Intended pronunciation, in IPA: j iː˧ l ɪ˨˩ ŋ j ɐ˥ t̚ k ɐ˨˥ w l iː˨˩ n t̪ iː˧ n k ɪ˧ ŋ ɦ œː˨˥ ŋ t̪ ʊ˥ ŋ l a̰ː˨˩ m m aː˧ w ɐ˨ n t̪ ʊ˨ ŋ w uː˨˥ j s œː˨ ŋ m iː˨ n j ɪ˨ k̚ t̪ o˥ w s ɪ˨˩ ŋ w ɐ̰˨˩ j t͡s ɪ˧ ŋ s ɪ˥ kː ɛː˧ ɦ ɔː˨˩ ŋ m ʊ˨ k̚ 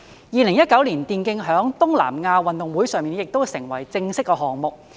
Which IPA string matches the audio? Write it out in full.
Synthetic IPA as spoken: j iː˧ l ɪ˨˩ ŋ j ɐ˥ t̚ k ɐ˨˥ w l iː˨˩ n t̪ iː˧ n k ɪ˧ ŋ ɦ œː˨˥ ŋ t̪ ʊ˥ ŋ l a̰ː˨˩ m ŋ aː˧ w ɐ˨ n t̪ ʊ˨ ŋ w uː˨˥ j s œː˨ ŋ m iː˨ n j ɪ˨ k̚ t̪ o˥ w s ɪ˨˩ ŋ w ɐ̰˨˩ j t͡s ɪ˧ ŋ s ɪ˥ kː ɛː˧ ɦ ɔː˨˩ ŋ m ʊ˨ k̚